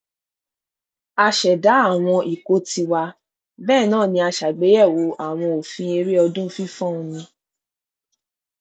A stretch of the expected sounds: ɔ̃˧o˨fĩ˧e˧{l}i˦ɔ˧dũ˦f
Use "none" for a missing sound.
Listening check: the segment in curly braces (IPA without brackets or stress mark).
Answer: ɾ